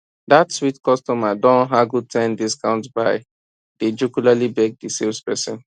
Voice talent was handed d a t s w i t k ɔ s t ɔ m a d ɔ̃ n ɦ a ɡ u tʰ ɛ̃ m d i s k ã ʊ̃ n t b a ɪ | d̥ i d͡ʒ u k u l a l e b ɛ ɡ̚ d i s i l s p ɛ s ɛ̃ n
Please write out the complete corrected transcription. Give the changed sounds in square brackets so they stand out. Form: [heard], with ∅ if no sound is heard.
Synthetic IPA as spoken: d a t s w i t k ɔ s t ɔ m a d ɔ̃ n ɦ a ɡ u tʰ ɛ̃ [n] d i s k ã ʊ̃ n t b a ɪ | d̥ [e] d͡ʒ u k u l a l [i] b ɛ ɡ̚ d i s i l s p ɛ s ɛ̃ n